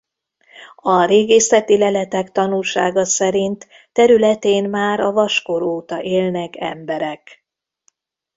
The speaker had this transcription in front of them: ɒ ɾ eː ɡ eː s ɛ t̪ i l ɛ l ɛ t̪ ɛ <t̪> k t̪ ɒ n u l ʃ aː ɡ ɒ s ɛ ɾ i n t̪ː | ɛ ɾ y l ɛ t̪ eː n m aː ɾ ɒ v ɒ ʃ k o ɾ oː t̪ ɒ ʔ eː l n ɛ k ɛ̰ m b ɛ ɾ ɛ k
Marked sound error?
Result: yes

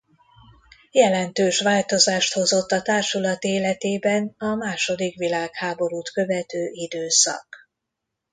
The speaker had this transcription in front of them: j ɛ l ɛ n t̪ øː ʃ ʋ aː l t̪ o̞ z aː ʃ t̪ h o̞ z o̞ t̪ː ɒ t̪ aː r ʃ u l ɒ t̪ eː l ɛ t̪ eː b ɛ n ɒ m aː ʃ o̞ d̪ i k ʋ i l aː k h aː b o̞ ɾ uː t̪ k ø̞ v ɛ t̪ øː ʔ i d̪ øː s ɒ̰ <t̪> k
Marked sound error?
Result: yes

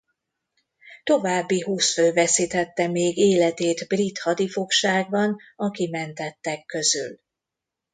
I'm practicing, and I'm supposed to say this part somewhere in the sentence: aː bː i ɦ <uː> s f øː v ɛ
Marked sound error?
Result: no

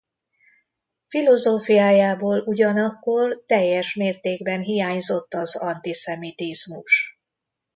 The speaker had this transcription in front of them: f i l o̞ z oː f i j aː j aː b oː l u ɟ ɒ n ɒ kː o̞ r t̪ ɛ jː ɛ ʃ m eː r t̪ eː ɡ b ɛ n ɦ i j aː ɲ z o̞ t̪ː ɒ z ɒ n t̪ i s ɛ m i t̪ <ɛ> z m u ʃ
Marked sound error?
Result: yes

